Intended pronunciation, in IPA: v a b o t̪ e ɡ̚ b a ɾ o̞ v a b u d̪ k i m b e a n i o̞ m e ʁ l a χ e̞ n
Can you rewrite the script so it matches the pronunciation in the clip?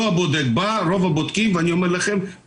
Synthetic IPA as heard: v a b o d̪ e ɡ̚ b a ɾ o̞ v a b o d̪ k i m v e a n i o̞ m e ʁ l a χ e̞ m